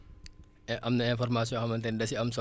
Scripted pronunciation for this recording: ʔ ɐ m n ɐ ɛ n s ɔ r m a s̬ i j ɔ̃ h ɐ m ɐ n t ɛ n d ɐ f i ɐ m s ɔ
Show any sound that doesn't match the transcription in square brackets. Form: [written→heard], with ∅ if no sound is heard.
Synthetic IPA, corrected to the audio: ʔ ɐ m n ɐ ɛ n [s→f] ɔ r m a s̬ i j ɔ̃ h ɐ m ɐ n t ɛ n d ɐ [f→s] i ɐ m s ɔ